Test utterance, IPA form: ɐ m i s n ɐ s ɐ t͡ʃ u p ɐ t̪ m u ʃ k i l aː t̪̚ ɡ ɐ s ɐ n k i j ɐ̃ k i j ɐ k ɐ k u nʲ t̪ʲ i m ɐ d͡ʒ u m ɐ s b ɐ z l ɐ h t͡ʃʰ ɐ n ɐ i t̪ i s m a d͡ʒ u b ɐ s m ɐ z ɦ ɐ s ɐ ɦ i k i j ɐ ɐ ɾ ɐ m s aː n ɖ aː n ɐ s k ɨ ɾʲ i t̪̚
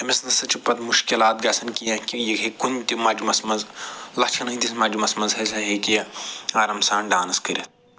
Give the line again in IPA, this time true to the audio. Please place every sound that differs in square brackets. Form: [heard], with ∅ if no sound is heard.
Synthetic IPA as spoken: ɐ m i s n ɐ s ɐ t͡ʃ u p ɐ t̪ m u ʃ k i l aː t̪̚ ɡ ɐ s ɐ n k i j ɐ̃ k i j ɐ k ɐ k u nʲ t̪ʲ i m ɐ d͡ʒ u m ɐ s [m] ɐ z l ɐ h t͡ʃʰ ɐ n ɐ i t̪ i s m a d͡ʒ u [m] ɐ s m ɐ z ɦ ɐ s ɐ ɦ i k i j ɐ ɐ ɾ ɐ m s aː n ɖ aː n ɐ s k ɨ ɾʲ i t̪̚